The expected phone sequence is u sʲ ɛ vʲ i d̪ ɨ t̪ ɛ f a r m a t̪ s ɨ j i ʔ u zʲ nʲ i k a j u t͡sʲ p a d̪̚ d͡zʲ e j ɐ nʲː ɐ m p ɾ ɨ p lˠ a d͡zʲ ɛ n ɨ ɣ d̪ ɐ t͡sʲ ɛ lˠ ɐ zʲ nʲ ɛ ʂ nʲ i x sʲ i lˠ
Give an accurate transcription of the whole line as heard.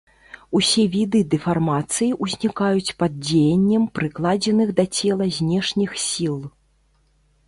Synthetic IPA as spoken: u sʲ ɛ vʲ i d̪ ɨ d̪ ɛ f a r m a t̪ s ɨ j i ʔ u zʲ nʲ i k a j u t͡sʲ p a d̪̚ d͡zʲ e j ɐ nʲː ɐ m p ɾ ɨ k lˠ a d͡zʲ ɛ n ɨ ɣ d̪ ɐ t͡sʲ ɛ lˠ ɐ zʲ nʲ ɛ ʂ nʲ i x sʲ i lˠ